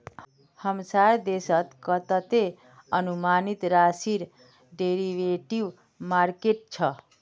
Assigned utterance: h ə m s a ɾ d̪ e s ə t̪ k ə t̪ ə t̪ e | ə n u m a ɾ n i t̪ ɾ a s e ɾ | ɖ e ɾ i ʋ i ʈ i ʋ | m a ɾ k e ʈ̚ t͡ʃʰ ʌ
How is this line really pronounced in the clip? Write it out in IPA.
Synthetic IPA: h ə m s a ɾ d̪ e s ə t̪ k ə t̪ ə t̪ e | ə n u m a n i t̪ ɾ a s i ɾ | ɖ e ɾ i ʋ e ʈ i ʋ | m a ɾ k e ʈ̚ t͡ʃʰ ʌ